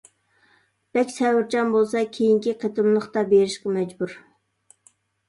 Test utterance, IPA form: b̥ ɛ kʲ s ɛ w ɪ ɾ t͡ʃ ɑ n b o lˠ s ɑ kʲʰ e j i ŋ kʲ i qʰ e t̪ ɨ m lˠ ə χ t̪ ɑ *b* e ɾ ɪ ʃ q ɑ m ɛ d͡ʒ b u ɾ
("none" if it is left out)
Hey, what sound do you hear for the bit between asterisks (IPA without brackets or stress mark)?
b